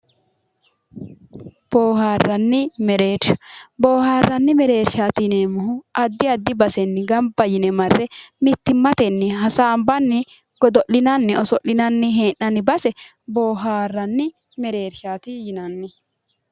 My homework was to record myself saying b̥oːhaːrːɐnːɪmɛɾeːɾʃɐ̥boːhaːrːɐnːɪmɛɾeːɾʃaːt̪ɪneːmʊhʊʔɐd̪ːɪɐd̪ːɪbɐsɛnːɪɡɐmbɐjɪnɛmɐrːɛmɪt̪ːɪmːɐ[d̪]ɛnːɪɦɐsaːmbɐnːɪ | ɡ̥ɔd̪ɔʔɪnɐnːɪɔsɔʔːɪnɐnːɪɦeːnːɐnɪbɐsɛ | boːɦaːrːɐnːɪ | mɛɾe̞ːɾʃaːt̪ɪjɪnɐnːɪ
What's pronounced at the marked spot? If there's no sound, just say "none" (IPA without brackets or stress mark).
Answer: t̪